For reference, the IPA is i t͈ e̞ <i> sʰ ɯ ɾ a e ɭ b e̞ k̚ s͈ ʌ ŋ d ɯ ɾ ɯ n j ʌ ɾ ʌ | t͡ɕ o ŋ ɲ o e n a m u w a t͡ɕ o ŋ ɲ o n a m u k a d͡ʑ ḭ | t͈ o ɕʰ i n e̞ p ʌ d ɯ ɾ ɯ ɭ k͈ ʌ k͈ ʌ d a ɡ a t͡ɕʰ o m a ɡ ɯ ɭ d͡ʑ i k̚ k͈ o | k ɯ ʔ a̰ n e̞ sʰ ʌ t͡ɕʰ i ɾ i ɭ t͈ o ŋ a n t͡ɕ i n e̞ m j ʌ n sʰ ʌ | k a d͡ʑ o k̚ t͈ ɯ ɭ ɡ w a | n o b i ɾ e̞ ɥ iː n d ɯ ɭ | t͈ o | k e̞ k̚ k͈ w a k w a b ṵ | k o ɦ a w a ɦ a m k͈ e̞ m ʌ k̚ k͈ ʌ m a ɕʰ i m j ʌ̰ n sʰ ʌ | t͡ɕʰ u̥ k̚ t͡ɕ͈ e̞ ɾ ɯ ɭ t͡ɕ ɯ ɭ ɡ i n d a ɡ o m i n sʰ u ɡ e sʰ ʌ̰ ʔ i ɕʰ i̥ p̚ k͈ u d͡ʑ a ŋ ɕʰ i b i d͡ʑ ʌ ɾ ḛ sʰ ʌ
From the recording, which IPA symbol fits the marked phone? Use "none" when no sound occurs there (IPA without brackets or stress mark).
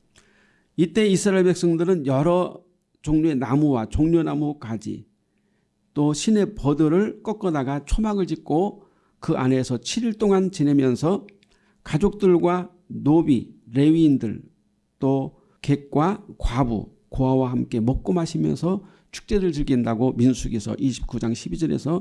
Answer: i